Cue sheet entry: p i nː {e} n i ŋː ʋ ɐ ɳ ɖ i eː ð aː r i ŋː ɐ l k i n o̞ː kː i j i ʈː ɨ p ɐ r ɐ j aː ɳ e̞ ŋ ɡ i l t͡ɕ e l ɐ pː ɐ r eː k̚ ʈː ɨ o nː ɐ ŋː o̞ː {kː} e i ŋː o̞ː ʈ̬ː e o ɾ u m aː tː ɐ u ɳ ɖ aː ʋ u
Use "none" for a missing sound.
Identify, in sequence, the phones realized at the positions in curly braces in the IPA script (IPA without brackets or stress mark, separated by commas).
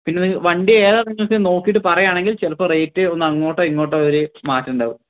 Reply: e, ʈː